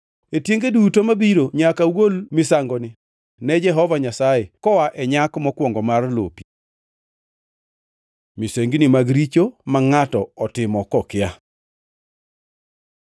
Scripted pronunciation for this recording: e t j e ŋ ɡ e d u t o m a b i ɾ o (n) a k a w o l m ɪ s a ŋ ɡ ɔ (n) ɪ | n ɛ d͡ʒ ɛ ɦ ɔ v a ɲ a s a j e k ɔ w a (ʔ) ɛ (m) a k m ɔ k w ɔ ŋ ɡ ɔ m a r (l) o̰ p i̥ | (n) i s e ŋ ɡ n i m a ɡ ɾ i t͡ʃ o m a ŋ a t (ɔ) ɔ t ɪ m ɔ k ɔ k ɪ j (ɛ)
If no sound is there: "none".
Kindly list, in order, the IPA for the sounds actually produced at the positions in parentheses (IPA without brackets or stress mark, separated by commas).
ɲ, n, ʔ, ɲ, l, m, ɔ, a